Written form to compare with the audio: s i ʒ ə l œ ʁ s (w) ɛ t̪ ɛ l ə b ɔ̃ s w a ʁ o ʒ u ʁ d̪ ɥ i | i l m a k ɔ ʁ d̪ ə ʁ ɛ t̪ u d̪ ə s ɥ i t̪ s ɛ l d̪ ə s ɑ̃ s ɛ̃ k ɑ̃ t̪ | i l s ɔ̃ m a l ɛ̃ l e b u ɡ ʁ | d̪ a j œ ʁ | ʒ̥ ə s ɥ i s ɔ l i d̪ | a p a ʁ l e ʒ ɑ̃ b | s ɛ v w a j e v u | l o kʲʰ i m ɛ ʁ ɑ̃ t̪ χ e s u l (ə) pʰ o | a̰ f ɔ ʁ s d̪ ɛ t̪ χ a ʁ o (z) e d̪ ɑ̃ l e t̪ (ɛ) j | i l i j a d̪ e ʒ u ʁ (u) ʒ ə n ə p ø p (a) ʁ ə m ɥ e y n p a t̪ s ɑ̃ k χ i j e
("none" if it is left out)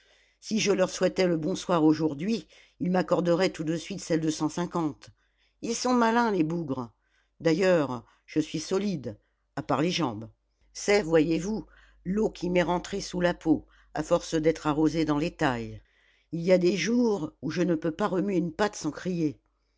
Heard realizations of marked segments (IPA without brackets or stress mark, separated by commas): w, a, z, a, u, a